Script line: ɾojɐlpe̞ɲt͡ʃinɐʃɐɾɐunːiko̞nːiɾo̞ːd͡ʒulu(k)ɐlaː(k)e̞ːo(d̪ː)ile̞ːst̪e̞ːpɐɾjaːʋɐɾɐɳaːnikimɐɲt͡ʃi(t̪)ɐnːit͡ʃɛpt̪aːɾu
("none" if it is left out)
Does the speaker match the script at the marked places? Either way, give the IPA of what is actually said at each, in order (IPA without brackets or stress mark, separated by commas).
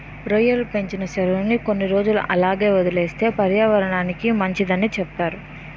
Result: ʔ, ɡ, d̪, d̪